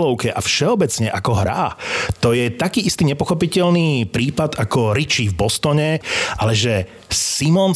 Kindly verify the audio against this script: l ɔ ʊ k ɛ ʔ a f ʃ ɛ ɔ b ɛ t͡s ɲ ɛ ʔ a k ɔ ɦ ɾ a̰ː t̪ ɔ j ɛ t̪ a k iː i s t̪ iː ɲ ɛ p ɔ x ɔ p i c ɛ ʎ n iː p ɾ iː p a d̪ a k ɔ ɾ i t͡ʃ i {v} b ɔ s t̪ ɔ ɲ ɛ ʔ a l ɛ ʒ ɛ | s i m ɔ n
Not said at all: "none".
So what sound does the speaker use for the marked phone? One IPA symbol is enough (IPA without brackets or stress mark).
v